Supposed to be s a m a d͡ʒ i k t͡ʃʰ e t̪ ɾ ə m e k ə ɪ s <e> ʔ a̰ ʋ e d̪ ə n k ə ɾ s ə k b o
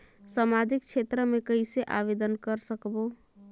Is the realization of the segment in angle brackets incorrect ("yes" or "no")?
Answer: no